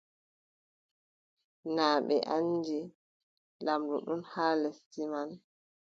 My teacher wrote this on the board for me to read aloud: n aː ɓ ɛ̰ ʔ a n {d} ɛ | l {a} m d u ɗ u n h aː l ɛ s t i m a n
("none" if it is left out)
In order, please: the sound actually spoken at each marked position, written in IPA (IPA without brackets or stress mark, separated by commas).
d͡ʒ, a